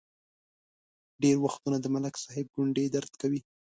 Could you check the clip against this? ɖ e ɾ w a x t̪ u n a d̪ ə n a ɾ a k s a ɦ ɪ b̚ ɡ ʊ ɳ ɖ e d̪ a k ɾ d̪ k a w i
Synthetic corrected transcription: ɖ e ɾ w a x t̪ u n a d̪ ə m a l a k s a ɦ ɪ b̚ ɡ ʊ ɳ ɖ e d̪ a ɾ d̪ k a w i

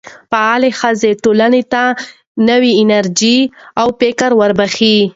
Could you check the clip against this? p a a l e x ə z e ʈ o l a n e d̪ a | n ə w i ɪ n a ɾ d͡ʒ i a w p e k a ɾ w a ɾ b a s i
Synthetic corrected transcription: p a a l e x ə z e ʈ o l a n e t̪ a | n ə w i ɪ n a ɾ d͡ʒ i a w p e k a ɾ w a ɾ b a x i

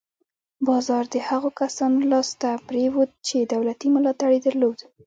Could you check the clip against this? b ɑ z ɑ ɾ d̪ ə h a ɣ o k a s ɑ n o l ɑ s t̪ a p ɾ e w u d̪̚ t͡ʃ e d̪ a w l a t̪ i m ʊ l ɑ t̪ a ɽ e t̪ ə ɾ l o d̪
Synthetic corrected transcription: b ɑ z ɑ ɾ d̪ ə h a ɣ o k a s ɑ n o l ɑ s t̪ a p ɾ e w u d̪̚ t͡ʃ e d̪ a w l a t̪ i m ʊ l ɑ t̪ a ɽ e d̪ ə ɾ l o d̪

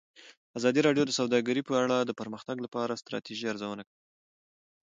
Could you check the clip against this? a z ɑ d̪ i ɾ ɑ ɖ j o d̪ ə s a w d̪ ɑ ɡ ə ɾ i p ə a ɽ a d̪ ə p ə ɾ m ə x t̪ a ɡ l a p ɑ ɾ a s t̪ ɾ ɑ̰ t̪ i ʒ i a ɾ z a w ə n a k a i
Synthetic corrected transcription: a z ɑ d̪ i ɾ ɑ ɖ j o d̪ ə s a w d̪ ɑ ɡ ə ɾ i p ə a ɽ a d̪ ə p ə ɾ m ə x t̪ a ɡ l a p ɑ ɾ a s t̪ ɾ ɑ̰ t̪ i ʒ i a ɾ z a w ə n a k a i

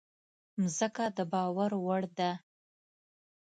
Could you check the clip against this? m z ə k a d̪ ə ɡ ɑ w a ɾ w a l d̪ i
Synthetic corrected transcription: m z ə k a d̪ ə b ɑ w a ɾ w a ɽ d̪ a

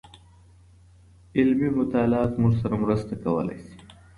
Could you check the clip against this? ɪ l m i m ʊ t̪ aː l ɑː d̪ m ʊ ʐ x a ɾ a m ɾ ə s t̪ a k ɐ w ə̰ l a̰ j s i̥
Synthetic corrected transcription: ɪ l m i m ʊ t̪ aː l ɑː t̪ m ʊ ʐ s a ɾ a m ɾ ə s t̪ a k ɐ w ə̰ l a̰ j s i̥

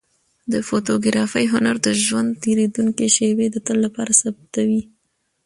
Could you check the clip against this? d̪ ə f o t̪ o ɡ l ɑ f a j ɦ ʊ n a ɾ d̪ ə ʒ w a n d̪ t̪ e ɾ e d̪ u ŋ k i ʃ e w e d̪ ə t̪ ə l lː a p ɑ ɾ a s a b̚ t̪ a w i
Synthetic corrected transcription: d̪ ə f o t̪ o ɡ ɾ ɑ f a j ɦ ʊ n a ɾ d̪ ə ʒ w a n d̪ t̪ e ɾ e d̪ u ŋ k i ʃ e w e d̪ ə t̪ ə l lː a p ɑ ɾ a s a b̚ t̪ a w i

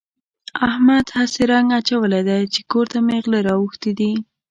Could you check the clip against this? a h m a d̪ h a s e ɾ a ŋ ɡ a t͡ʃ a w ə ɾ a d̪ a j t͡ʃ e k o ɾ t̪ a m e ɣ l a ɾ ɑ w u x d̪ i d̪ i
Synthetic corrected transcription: a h m a d̪ h a s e ɾ a ŋ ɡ a t͡ʃ a w ə l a d̪ a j t͡ʃ e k o ɾ t̪ a m e ɣ l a ɾ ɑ w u x t̪ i d̪ i

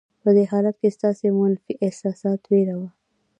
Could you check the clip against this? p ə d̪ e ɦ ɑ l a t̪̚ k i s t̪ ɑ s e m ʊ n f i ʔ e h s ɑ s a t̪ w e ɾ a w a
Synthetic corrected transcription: p ə d̪ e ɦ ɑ l a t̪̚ k e s t̪ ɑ s e m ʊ n f i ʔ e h s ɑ s ɑ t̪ w e ɾ a w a

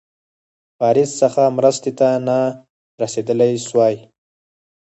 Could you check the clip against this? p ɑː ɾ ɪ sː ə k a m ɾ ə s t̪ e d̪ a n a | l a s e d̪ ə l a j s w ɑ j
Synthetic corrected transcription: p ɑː ɾ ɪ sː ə x a m ɾ ə s t̪ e t̪ a n a | ɾ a s e d̪ ə l a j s w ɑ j

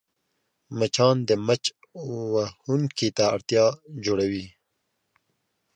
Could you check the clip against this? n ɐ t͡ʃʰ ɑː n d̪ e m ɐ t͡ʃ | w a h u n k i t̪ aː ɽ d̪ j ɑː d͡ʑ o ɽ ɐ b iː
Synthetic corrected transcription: m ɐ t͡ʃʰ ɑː n d̪ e m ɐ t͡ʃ | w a h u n k i t̪ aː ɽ t̪ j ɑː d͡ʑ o ɽ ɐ w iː

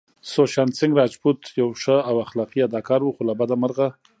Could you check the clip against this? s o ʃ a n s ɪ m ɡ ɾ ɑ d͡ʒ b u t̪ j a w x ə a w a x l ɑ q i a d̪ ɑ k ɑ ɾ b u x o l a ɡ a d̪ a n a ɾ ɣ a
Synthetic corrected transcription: s o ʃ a n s ɪ ŋ ɡ ɾ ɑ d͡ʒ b u t̪ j a w ʂ ə a w a x l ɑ q i a d̪ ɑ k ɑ ɾ w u x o l a b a d̪ a m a ɾ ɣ a

